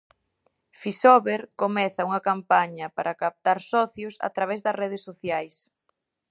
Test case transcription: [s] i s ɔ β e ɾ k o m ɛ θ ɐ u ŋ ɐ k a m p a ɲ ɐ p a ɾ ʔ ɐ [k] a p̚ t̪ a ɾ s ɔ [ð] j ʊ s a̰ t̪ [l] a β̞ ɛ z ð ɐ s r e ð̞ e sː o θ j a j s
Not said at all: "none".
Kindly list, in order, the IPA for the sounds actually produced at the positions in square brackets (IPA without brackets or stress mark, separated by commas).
f, k, θ, ɾ